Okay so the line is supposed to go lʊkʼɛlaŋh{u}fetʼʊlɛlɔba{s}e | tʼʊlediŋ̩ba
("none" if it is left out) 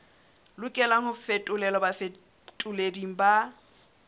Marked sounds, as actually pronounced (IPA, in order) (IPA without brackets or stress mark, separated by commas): ʊ, f